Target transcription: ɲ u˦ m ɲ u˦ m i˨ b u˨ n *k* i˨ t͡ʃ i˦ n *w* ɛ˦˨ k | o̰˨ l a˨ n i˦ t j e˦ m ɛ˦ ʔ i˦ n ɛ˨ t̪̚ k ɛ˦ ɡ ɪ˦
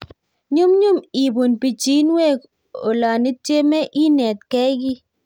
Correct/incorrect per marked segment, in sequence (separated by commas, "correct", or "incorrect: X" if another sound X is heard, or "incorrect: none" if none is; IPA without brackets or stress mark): incorrect: p, correct